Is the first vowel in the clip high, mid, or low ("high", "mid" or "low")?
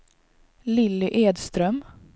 high